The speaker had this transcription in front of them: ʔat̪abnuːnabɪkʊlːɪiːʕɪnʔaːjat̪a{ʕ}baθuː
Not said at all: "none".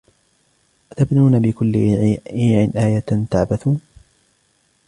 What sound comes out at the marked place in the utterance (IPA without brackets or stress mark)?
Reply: ʕ